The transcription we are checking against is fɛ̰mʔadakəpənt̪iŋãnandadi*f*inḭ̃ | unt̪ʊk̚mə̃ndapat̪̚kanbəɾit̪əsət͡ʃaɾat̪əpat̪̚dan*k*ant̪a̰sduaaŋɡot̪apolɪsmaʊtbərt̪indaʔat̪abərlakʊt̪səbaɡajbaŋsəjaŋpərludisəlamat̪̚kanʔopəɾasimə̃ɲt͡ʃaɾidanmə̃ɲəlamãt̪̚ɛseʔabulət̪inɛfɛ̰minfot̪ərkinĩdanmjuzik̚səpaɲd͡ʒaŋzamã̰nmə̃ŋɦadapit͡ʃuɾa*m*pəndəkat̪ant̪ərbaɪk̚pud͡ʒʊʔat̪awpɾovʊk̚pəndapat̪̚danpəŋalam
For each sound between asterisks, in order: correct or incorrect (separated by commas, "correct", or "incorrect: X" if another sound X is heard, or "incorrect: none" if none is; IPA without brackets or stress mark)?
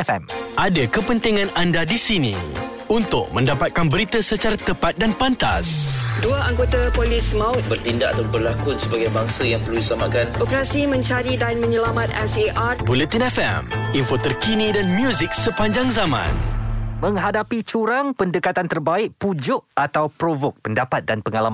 incorrect: s, incorrect: p, incorrect: ŋ